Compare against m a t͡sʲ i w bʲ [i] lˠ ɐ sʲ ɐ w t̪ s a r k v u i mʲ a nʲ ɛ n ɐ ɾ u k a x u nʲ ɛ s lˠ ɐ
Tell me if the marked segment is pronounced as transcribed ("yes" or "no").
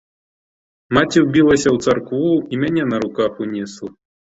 yes